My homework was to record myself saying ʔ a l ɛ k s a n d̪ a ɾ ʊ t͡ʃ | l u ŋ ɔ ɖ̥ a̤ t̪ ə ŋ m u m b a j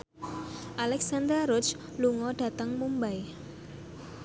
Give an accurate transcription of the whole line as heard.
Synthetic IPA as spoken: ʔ a l ɛ k s a n d̪ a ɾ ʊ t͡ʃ | l u ŋ ɔ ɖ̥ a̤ t̪ ə ŋ m u m b a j